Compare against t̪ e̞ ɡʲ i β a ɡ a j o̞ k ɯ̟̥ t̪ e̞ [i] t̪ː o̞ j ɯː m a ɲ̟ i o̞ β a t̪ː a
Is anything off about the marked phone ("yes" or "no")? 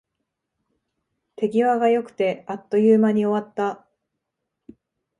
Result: yes